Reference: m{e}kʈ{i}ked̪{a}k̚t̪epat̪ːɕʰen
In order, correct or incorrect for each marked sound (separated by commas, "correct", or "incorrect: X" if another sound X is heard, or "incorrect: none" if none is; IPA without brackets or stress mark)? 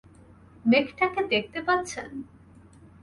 correct, incorrect: a, incorrect: e